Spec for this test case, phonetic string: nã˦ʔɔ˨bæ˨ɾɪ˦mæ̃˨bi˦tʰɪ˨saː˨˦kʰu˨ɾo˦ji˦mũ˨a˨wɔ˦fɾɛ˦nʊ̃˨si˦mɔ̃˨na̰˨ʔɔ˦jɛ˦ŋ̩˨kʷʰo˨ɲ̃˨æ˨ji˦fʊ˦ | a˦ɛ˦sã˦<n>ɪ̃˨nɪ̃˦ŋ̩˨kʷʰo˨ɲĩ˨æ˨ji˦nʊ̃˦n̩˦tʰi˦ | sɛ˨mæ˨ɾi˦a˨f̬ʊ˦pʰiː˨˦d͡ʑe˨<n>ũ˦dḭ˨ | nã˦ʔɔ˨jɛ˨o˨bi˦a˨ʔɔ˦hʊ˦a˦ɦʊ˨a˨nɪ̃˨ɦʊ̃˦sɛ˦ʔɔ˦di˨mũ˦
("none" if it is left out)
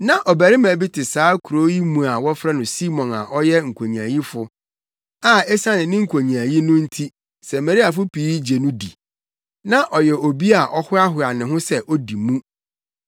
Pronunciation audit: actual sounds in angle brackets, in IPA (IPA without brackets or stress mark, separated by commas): n, n